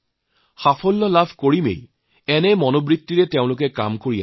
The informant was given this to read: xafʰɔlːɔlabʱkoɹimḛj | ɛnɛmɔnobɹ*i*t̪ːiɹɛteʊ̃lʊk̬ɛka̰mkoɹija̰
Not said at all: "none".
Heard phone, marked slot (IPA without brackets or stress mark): i